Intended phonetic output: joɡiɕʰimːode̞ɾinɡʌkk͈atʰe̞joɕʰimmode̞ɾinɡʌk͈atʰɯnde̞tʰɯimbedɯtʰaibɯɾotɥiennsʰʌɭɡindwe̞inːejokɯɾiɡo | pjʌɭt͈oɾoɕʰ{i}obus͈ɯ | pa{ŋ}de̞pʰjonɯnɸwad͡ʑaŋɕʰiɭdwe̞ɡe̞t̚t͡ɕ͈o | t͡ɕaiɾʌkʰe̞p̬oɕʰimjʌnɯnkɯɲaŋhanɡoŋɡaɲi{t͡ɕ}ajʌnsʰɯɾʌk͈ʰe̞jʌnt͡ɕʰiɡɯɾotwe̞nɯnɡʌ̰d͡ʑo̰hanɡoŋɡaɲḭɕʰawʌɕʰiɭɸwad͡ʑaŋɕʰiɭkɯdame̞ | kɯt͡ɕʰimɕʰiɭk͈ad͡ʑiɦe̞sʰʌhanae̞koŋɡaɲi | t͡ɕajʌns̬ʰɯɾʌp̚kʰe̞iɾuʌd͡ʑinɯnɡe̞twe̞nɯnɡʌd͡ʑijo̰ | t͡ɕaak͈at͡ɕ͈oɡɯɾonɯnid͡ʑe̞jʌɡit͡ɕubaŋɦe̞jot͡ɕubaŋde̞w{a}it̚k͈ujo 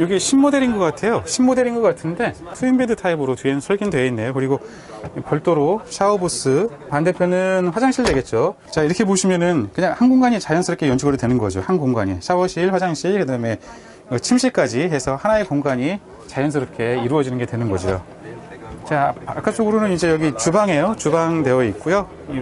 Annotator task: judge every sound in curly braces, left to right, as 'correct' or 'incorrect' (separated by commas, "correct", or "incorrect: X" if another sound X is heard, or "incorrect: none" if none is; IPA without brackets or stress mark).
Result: incorrect: a, incorrect: n, correct, incorrect: ʌ